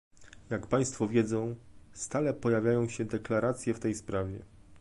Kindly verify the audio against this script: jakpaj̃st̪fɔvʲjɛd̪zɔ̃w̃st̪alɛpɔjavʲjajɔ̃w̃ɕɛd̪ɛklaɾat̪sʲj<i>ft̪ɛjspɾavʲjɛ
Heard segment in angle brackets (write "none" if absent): ɛ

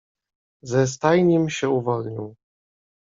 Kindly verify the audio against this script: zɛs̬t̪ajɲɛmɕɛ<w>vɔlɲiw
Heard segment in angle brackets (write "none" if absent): u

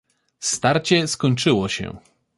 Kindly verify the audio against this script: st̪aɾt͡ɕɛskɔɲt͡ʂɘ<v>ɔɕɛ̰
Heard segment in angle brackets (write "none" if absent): w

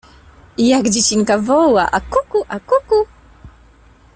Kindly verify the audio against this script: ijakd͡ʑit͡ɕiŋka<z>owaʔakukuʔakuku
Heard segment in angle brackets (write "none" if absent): v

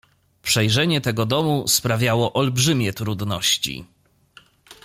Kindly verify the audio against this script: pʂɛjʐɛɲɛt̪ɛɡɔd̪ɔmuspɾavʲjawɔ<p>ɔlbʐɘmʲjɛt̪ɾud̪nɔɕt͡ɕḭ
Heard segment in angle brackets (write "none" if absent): ʔ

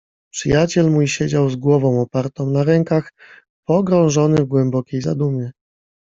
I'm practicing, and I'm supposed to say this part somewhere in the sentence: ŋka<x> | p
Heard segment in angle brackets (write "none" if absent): x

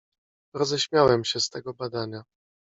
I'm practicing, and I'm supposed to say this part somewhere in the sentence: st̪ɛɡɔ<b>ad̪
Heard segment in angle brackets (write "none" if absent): b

